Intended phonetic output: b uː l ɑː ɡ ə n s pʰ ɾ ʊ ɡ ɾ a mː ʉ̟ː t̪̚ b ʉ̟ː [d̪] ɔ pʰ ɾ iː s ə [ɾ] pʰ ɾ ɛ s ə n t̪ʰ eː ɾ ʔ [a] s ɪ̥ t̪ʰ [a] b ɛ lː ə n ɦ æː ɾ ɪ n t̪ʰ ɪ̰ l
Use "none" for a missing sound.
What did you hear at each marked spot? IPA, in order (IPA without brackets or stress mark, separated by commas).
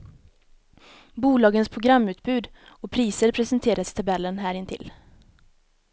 d̪, ɾ, a, a